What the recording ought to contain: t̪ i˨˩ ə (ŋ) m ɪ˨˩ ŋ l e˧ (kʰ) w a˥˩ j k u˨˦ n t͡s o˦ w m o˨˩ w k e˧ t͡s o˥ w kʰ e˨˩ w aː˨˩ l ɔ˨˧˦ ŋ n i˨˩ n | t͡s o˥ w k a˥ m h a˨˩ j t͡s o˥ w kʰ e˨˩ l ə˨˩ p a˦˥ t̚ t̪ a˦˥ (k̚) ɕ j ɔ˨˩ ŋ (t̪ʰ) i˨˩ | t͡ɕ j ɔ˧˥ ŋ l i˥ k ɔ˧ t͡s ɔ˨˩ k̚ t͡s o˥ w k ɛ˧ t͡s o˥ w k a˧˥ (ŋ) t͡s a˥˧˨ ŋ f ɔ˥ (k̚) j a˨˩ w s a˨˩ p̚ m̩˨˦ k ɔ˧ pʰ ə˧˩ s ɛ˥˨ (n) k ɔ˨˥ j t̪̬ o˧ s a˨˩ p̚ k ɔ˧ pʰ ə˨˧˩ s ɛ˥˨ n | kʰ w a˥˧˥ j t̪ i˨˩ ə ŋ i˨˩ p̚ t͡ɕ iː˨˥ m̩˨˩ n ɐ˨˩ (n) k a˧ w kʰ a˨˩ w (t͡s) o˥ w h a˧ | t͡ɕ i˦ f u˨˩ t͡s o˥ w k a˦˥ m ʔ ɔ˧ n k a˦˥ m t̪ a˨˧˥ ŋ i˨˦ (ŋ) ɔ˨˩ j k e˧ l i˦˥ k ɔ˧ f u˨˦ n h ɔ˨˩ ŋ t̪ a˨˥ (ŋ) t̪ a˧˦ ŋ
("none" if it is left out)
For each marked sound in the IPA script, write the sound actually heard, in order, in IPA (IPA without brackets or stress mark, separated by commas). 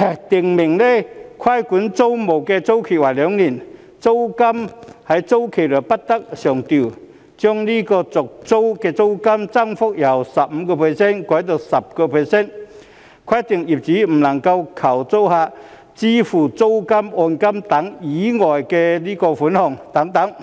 ŋ, kʰ, k̚, t̪, m, k̚, n, ŋ, t͡s, ŋ, ŋ